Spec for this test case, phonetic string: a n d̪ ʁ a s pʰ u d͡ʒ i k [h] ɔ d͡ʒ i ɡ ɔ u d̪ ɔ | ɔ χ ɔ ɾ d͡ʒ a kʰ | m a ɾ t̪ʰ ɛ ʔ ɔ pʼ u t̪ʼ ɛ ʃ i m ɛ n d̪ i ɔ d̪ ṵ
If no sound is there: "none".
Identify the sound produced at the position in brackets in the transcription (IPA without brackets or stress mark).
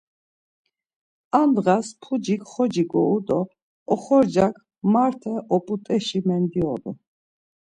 χ